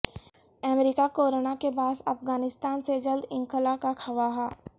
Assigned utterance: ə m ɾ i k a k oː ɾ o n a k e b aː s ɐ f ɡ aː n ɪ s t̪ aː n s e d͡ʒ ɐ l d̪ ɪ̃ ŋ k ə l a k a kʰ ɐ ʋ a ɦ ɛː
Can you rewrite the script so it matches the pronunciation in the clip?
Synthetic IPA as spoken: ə m ɾ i k a k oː ɾ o n a k e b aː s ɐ f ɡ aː n ɪ s t̪ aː n s e d͡ʒ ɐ l d̪ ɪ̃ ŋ k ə l a k a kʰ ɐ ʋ a ɦ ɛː